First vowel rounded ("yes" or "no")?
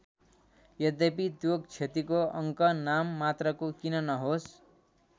no